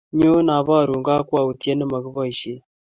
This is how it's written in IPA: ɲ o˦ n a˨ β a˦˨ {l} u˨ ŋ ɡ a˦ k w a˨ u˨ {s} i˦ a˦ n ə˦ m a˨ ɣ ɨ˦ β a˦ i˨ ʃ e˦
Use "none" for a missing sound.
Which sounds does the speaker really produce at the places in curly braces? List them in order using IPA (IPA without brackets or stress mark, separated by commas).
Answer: ɾ, t